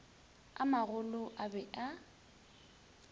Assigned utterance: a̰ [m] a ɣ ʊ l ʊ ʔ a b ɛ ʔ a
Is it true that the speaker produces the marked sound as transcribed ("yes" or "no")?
yes